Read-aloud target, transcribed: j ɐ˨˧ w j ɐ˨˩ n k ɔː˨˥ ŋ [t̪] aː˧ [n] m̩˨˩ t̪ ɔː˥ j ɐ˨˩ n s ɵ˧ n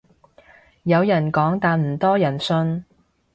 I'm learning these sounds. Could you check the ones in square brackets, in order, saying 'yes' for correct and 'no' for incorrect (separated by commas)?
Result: yes, yes